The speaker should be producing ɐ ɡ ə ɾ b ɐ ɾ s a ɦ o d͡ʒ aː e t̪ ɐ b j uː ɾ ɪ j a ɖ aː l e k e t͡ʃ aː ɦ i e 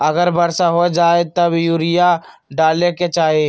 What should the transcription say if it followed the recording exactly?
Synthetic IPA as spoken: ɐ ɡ ə ɾ b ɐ ɾ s a ɦ o d͡ʒ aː e t̪ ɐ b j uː ɾ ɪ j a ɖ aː l e k e t͡ʃ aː ɦ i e